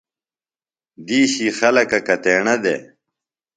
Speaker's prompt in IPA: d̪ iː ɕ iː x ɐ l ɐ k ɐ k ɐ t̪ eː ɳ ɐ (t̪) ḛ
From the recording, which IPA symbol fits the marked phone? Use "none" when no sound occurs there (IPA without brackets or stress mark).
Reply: d̪